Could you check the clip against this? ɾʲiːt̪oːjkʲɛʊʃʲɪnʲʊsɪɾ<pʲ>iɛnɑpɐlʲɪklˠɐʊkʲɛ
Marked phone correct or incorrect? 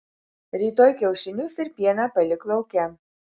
correct